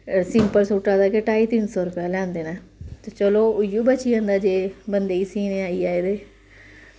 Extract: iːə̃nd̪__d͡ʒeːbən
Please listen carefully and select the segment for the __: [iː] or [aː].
aː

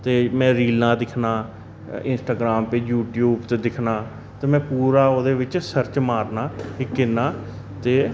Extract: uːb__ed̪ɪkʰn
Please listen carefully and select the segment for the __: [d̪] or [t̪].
t̪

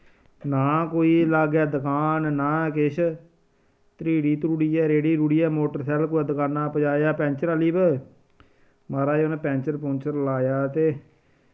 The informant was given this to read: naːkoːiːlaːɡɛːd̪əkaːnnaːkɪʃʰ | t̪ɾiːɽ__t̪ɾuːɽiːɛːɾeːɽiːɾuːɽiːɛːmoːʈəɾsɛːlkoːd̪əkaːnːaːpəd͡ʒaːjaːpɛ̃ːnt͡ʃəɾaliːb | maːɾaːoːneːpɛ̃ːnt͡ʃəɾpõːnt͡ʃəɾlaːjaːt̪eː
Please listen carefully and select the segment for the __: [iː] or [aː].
iː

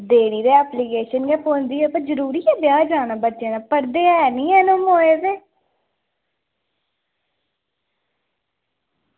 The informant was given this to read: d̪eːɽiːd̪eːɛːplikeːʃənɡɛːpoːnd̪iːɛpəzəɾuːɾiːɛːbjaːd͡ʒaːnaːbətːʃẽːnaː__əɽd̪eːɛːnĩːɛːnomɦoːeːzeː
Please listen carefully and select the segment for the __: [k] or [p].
p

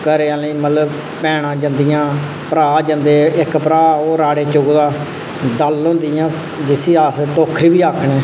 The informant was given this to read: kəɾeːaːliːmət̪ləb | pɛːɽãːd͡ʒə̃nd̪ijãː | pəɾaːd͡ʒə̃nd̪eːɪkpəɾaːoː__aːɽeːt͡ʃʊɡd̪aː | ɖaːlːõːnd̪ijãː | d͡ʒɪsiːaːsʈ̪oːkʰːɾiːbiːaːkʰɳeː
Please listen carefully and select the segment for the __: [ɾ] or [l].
ɾ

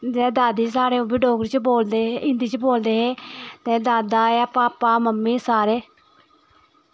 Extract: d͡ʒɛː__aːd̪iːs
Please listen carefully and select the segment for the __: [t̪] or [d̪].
d̪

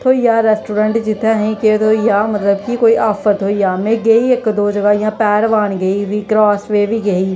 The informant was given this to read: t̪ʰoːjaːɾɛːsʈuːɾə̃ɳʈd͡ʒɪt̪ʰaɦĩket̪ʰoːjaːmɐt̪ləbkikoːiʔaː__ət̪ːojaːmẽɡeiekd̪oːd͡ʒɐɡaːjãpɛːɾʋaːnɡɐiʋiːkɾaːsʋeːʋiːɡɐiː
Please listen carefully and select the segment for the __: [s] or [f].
f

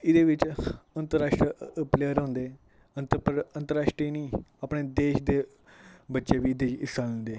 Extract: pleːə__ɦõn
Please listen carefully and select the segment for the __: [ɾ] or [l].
ɾ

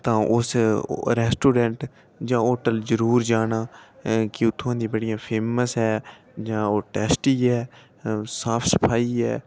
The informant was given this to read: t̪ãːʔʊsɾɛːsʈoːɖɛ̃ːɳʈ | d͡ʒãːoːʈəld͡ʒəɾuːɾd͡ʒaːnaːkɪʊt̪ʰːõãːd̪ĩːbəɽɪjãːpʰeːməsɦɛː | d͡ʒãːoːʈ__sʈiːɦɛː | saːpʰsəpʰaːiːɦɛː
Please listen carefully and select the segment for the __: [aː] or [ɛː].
ɛː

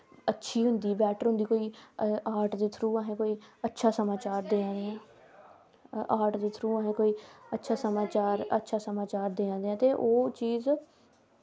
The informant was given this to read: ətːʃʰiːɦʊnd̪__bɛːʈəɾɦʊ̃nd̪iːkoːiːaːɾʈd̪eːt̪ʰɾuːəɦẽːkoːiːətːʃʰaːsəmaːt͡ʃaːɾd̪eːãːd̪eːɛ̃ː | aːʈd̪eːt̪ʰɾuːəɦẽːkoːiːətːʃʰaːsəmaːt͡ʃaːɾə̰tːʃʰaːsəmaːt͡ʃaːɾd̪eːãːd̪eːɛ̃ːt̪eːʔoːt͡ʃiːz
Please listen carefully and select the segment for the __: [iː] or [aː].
iː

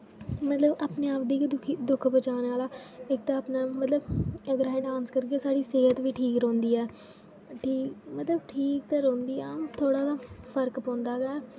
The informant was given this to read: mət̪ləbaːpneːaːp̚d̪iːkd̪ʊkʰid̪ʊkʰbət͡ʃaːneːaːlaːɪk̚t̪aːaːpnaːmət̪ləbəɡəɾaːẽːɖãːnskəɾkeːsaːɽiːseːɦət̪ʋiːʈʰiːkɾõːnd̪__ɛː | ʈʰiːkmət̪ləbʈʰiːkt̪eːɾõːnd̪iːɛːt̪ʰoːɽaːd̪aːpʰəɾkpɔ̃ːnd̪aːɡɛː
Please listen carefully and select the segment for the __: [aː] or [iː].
iː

